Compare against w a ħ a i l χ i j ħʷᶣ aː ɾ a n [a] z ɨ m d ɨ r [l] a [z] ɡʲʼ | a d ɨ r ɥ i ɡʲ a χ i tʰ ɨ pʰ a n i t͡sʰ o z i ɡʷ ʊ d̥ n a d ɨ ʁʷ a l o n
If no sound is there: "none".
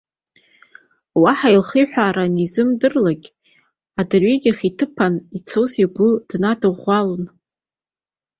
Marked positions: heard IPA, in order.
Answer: i, l, none

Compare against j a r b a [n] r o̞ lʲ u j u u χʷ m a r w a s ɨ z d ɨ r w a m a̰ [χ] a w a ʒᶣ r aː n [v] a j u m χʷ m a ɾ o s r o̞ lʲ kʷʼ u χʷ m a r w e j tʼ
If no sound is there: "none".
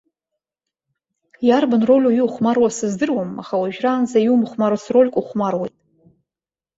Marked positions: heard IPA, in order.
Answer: n, χ, z

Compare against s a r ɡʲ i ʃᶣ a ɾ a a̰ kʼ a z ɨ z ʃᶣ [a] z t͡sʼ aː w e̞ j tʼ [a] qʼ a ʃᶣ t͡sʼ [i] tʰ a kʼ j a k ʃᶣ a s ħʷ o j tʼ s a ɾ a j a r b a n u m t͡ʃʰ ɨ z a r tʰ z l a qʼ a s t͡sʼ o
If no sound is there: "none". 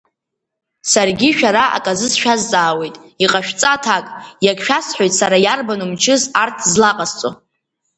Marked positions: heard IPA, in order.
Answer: a, i, a

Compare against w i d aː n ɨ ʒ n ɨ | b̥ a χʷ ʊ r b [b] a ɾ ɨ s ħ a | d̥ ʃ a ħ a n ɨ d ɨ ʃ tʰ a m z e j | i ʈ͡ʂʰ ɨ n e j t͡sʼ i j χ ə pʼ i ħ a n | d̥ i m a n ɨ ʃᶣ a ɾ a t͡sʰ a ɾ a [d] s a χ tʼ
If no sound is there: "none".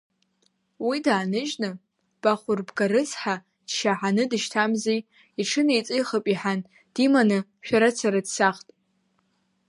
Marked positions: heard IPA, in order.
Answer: ɡ, d

